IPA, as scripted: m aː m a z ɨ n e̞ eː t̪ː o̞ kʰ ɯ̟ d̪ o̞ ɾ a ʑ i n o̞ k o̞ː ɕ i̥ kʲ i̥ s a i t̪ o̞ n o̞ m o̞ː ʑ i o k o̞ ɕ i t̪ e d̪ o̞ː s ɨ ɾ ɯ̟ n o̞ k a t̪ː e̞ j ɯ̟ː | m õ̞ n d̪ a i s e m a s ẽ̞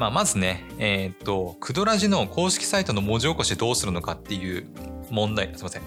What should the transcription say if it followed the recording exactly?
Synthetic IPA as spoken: m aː m a z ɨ n e̞ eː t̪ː o̞ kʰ ɯ̟ d̪ o̞ ɾ a ʑ i n o̞ k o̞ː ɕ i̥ kʲ i̥ s a i t̪ o̞ n o̞ m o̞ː ʑ i o k o̞ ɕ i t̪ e d̪ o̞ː s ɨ ɾ ɯ̟ n o̞ k a t̪ː e̞ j ɯ̟ː | m õ̞ n d̪ a i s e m a s ẽ̞